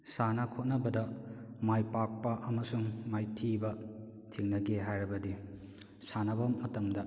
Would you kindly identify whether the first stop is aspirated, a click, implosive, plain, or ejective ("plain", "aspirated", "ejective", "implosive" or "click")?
aspirated